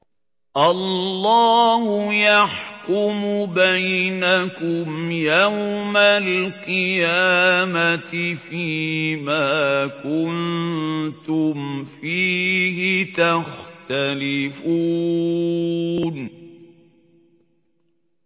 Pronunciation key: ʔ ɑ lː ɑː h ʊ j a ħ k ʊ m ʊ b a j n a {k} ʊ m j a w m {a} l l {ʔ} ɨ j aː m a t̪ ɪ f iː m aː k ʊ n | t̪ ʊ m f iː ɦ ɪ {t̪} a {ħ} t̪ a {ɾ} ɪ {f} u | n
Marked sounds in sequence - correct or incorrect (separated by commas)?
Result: correct, correct, incorrect, correct, incorrect, incorrect, correct